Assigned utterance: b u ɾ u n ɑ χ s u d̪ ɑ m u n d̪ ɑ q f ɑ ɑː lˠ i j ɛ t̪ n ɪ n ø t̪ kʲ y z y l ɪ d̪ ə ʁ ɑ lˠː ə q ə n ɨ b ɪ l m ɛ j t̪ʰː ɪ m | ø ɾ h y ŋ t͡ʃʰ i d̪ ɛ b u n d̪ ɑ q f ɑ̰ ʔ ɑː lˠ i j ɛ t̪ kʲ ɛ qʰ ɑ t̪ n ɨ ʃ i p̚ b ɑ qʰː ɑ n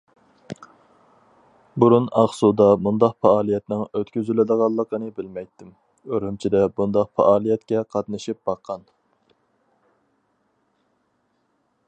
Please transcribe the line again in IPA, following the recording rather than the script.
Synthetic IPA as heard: b u ɾ u n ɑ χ s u d̪ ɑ m u n d̪ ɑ q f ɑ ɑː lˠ i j ɛ t̪ n ɪ ŋ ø t̪ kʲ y z y l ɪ d̪ ə ʁ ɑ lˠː ə q ə n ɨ b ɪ l m ɛ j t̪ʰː ɪ m | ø ɾ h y m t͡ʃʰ i d̪ ɛ b u n d̪ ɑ q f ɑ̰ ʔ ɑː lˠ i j ɛ t̪ kʲ ɛ qʰ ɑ t̪ n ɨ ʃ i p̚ b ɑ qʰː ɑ n